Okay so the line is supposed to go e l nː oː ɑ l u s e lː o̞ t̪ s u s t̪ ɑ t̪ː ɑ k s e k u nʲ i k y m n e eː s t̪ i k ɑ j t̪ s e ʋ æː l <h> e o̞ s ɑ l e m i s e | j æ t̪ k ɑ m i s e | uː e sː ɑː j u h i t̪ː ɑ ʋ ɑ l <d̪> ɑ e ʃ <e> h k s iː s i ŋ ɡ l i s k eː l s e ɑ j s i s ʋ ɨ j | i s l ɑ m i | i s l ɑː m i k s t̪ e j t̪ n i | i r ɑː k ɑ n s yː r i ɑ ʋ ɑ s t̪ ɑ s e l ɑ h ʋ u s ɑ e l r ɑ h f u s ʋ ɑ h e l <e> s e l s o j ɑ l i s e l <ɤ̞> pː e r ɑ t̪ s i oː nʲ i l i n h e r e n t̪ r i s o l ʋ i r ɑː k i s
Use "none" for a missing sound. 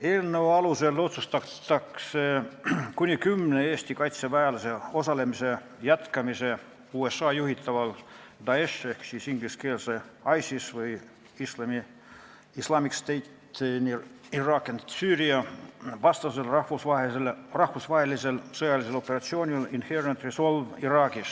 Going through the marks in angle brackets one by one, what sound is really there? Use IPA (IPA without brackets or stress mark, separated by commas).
s, d̪, e, i, o̞